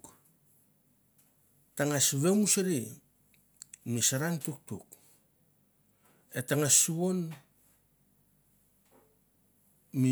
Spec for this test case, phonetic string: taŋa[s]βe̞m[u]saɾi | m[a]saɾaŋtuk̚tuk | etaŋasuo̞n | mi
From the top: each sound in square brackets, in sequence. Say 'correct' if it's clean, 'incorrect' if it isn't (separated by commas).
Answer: correct, correct, incorrect